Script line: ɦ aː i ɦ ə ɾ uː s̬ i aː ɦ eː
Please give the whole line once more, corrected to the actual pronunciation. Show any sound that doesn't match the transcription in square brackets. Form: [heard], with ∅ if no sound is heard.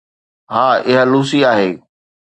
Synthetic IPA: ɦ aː [ɪ] ɦ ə [l] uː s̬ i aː ɦ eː